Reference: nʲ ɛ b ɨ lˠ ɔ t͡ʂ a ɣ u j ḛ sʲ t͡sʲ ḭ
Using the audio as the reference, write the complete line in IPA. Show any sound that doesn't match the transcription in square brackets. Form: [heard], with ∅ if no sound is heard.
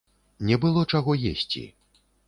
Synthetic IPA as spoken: nʲ ɛ b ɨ lˠ ɔ t͡ʂ a ɣ [ɔ] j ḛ sʲ t͡sʲ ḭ